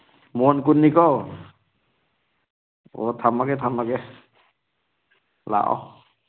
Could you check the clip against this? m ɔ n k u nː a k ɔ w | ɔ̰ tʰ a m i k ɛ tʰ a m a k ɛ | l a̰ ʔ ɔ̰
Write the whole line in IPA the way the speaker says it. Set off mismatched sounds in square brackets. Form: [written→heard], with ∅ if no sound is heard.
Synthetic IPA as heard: m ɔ n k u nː [a→i] k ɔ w | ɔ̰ tʰ a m [i→a] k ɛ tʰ a m a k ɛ | l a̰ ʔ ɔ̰